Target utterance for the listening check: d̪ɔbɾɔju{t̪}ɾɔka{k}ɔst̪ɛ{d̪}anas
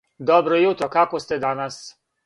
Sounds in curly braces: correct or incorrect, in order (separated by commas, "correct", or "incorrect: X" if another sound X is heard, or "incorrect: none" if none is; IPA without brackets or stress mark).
correct, correct, correct